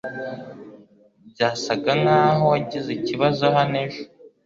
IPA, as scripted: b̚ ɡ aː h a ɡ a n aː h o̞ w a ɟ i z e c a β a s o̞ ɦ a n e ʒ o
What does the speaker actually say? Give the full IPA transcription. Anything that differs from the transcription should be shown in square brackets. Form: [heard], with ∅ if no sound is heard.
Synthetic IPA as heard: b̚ [ɟ] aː [s] a ɡ a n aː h o̞ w a ɟ i z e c [i] β a [z] o̞ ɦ a n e ʒ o